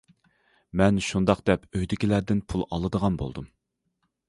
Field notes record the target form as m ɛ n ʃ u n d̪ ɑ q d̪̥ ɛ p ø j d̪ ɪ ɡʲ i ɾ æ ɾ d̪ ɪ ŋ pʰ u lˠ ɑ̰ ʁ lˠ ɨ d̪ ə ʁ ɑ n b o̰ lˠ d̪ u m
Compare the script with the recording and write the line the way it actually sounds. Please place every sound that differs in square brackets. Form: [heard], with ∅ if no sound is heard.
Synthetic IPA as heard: m ɛ n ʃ u n d̪ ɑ q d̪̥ ɛ p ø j d̪ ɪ [kʲ] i [l] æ ɾ d̪ ɪ [n] pʰ u lˠ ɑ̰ [∅] lˠ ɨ d̪ ə ʁ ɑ n b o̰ lˠ d̪ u m